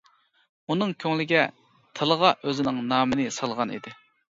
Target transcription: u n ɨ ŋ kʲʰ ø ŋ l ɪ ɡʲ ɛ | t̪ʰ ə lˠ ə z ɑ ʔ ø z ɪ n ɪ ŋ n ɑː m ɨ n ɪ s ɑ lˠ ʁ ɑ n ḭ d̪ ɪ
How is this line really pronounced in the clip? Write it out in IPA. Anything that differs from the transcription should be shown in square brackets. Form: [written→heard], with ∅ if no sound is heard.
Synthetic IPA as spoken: u n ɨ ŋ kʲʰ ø ŋ l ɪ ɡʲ ɛ | t̪ʰ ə lˠ ə [z→ʁ] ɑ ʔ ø z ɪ n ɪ ŋ n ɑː m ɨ n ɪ s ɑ lˠ ʁ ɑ n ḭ d̪ ɪ